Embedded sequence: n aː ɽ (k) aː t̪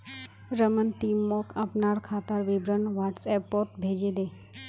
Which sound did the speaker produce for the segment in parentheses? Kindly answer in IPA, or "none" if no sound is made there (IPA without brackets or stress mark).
kʰ